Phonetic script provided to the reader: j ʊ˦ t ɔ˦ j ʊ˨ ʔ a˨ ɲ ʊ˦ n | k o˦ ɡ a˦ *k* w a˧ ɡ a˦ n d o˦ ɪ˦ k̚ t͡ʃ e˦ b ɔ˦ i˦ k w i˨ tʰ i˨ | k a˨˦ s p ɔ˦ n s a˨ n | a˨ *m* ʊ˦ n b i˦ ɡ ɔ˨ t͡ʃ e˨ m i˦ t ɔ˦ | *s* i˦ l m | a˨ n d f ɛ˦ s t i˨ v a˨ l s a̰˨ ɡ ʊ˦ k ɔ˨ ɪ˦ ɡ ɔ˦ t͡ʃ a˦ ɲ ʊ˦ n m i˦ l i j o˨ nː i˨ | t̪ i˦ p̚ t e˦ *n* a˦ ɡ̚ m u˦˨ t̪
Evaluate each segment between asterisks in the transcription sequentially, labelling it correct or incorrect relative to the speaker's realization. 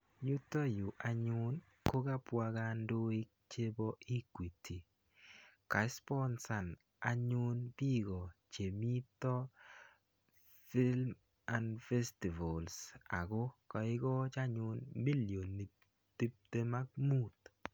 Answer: incorrect: p, incorrect: ɲ, incorrect: f, incorrect: m

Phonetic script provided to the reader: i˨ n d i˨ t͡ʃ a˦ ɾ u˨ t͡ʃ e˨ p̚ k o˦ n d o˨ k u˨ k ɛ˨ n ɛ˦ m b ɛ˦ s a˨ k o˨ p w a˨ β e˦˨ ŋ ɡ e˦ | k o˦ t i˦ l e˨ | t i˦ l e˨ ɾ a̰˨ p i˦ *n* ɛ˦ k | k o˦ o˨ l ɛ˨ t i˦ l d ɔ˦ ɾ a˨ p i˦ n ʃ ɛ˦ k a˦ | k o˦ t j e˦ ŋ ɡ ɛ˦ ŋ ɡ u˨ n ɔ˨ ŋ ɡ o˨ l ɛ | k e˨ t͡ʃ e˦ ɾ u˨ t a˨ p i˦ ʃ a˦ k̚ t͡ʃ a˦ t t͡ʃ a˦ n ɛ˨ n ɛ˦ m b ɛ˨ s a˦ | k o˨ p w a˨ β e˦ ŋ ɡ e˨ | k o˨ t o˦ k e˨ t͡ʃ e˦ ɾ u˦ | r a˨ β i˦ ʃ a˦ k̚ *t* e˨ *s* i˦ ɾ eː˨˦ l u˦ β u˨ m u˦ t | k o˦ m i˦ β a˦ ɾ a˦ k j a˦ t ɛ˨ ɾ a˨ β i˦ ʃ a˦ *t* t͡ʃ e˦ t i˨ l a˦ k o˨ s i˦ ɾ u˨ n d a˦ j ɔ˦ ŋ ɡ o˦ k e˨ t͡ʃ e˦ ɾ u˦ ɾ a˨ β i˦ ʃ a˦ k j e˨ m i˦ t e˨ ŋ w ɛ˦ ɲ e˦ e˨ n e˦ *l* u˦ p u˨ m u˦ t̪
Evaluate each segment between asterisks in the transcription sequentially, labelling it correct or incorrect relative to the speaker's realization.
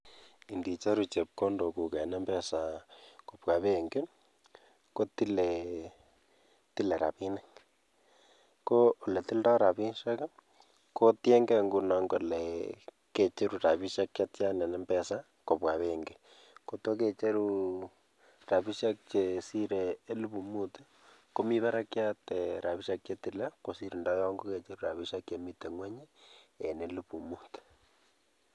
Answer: correct, incorrect: t͡ʃ, correct, incorrect: k, correct

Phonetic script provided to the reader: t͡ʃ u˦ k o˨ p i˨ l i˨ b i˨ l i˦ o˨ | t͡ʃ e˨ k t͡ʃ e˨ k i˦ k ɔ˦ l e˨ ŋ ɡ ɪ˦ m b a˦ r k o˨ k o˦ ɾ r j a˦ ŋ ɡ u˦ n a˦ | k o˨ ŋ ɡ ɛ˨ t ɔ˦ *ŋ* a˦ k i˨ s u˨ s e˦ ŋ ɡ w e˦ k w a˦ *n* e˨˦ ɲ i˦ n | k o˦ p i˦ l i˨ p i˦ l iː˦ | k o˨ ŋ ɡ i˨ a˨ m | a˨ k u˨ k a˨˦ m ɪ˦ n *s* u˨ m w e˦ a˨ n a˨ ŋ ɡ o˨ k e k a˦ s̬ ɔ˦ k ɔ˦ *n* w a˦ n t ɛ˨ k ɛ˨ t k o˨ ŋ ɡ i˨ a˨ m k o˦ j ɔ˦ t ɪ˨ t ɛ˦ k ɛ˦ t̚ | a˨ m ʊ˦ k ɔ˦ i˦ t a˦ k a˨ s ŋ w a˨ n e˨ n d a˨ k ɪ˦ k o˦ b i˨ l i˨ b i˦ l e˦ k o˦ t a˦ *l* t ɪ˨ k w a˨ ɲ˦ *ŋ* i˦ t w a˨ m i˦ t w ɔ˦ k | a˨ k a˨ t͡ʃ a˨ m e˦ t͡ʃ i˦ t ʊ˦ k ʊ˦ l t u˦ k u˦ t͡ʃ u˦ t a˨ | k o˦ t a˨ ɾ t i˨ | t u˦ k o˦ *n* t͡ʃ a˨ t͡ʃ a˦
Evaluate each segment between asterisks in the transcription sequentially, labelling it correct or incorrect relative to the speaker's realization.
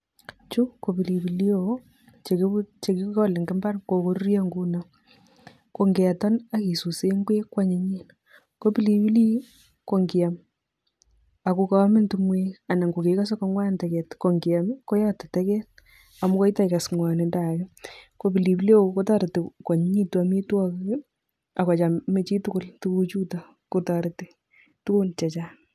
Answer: incorrect: n, incorrect: ɲ, incorrect: t, incorrect: ŋ, incorrect: ɾ, incorrect: ɲ, correct

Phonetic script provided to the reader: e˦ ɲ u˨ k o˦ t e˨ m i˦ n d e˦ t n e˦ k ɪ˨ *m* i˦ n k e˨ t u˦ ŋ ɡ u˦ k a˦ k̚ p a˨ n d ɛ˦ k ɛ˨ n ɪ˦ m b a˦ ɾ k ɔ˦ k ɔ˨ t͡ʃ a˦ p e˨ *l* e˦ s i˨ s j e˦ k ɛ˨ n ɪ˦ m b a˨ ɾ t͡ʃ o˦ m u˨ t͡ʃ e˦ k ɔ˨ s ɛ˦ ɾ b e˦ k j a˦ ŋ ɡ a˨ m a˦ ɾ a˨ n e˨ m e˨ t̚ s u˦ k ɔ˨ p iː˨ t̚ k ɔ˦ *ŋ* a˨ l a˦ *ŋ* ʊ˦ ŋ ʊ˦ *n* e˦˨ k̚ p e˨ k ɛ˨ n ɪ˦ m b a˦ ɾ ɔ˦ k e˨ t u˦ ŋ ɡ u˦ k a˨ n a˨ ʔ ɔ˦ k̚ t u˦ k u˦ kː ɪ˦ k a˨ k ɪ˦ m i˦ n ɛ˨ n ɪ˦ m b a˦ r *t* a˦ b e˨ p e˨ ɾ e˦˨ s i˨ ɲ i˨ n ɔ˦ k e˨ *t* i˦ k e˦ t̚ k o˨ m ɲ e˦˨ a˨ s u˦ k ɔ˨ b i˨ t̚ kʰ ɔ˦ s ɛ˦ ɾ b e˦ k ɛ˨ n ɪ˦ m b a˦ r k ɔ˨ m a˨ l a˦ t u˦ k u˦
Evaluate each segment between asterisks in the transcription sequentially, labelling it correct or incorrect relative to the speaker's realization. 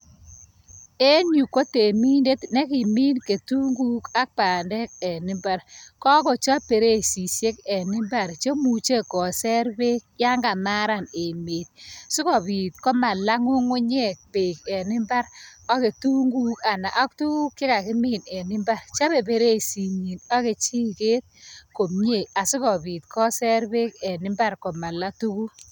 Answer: correct, incorrect: ɾ, incorrect: m, correct, incorrect: ɲ, incorrect: t͡ʃ, incorrect: t͡ʃ

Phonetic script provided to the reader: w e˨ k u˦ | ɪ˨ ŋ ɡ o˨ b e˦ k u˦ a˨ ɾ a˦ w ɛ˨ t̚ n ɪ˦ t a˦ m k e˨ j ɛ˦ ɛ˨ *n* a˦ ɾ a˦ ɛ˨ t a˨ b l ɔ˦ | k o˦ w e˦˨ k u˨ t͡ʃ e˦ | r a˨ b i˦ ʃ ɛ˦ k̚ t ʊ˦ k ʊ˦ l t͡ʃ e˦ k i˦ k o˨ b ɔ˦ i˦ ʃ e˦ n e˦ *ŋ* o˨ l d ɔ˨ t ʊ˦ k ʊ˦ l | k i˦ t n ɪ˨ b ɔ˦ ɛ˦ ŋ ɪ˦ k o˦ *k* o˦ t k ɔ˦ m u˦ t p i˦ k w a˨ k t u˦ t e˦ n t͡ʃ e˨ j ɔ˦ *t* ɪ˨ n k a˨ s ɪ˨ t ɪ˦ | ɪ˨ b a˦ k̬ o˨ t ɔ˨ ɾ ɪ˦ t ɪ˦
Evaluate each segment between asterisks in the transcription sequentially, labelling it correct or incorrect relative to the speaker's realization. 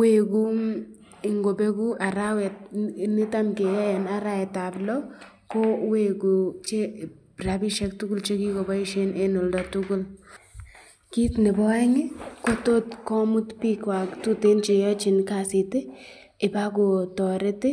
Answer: correct, incorrect: n, incorrect: t, incorrect: t͡ʃ

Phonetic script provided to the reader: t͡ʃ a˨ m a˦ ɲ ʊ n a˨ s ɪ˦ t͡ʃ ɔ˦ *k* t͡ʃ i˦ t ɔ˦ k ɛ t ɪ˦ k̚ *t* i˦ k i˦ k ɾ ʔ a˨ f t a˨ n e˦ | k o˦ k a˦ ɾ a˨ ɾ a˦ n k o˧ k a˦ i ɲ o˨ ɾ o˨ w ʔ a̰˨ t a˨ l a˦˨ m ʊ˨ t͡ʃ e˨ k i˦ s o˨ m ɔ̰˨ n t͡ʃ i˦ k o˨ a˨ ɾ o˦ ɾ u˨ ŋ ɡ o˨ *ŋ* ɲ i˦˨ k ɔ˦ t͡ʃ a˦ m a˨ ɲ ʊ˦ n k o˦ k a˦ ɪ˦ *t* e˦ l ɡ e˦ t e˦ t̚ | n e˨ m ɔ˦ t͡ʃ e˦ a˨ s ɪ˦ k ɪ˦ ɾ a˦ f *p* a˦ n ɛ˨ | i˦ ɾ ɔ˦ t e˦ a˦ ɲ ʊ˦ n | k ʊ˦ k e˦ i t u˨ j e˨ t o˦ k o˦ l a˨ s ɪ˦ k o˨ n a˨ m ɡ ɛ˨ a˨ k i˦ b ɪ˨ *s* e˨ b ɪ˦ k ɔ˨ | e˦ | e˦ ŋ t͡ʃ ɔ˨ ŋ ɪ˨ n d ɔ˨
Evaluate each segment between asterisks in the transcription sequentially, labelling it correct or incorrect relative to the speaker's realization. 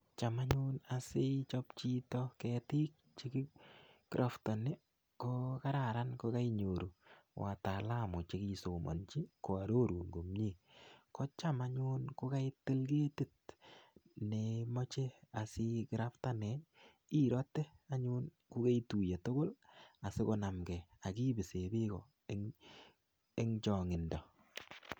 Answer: incorrect: p, incorrect: t͡ʃ, incorrect: m, correct, incorrect: t, correct

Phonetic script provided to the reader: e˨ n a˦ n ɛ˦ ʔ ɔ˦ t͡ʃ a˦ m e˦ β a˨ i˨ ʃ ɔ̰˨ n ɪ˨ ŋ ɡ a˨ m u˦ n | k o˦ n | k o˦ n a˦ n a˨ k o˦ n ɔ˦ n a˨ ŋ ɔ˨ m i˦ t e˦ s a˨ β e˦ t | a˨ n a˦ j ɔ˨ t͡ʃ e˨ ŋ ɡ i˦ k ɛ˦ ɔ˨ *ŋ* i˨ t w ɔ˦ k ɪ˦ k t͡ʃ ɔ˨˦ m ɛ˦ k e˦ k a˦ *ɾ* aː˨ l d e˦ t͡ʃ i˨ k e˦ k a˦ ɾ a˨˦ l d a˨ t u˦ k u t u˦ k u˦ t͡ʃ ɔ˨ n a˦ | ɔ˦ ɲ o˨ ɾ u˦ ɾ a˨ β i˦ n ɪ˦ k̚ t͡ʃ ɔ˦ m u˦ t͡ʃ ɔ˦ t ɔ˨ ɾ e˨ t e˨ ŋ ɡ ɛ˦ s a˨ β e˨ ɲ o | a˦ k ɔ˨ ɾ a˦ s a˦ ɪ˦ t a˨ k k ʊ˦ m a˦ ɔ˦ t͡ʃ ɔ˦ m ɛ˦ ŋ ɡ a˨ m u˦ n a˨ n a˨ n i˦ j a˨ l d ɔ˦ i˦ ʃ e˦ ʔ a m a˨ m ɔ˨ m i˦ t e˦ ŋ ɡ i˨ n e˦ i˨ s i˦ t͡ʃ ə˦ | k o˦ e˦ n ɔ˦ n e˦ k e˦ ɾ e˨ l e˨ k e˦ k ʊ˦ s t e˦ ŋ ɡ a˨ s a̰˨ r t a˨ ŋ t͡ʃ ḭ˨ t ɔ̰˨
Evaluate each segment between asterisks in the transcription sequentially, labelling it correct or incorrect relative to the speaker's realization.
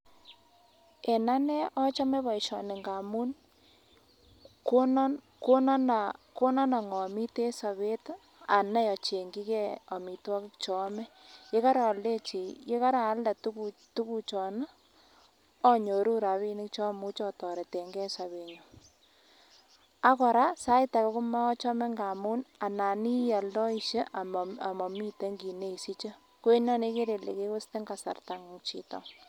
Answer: incorrect: m, correct

